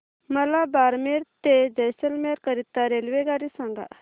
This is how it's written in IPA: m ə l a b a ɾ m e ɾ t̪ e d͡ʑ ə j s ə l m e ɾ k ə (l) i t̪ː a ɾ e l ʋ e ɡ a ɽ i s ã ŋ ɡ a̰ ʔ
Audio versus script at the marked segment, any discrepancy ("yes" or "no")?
yes